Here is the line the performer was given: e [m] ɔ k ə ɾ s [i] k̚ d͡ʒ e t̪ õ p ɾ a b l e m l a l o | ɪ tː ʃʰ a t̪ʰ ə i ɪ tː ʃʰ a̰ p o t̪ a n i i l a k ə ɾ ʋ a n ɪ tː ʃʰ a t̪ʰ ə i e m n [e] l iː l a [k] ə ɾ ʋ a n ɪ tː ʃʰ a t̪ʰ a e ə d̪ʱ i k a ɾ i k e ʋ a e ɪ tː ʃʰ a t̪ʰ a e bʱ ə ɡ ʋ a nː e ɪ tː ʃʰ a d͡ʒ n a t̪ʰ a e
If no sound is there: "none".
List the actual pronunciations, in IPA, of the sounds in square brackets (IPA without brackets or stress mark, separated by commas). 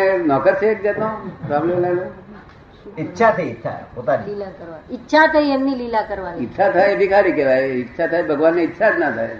n, e, i, k